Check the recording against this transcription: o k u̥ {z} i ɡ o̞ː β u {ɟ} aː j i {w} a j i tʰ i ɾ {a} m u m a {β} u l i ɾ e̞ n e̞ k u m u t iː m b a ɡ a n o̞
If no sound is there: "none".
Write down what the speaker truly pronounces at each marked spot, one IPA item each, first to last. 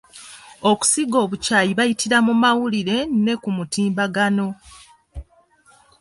s, c, β, a, w

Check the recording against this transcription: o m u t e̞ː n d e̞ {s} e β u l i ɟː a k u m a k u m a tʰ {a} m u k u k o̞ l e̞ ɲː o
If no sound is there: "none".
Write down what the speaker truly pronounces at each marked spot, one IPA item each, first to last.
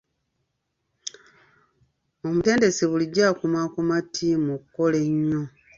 s, i

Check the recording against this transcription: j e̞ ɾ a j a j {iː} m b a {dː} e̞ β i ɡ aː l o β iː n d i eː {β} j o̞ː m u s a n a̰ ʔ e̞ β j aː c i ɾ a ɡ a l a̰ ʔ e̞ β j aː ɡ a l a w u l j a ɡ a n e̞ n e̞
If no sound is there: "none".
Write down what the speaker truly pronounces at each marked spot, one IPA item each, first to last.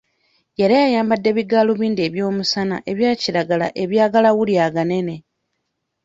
aː, dː, β

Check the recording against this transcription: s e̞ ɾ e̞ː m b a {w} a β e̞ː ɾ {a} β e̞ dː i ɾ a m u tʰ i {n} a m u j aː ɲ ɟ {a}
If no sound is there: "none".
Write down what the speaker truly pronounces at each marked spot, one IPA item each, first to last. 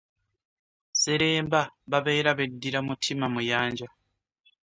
β, a, m, a

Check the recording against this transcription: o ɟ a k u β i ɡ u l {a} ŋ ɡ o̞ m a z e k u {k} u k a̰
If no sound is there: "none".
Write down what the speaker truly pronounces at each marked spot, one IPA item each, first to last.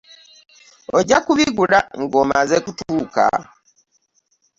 a, t

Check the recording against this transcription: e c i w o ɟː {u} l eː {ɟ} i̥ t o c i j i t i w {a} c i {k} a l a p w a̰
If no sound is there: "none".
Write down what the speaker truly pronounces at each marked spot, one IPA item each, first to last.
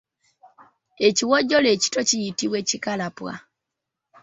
o, c, e, k

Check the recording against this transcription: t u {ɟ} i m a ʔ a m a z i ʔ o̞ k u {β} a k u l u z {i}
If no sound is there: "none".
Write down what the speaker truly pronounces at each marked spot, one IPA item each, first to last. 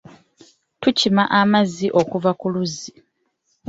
c, v, i

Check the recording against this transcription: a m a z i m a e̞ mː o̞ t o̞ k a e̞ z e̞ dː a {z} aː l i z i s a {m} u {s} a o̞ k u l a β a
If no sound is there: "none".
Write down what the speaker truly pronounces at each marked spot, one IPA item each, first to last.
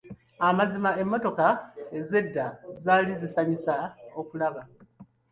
z, ɲ, s

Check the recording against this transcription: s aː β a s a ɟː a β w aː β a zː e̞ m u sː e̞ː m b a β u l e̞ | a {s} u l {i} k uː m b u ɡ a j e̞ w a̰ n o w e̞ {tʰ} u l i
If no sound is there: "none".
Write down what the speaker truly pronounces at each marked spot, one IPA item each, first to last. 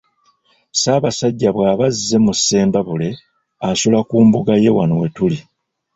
s, a, t

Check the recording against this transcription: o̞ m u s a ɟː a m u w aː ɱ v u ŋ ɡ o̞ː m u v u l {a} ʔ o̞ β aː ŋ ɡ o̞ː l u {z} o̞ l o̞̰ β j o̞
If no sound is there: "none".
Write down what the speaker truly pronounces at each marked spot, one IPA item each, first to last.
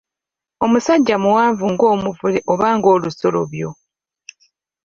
e, s

